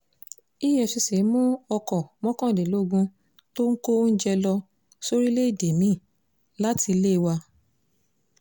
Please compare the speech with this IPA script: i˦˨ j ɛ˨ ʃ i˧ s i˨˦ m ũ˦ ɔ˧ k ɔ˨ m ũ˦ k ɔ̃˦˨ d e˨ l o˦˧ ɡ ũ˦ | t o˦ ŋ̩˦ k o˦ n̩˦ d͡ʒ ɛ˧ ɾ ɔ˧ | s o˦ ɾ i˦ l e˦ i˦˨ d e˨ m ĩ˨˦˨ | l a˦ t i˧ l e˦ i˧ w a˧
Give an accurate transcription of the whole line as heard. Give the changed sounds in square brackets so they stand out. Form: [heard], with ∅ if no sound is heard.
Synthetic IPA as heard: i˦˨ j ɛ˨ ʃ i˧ s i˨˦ m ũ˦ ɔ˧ k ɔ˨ m [ɔ̃˦] k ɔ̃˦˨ d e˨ l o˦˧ ɡ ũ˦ | t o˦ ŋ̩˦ k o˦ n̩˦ d͡ʒ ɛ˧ [l] ɔ˧ | s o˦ ɾ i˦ l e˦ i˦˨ d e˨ m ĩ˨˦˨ | l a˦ t i˧ l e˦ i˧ w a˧